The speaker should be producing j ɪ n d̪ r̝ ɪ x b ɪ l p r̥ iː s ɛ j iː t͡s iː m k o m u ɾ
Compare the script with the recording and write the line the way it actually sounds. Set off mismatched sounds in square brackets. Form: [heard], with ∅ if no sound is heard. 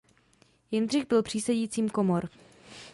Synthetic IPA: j ɪ n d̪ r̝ ɪ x b ɪ l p r̥ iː s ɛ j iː t͡s iː m k o m [o] ɾ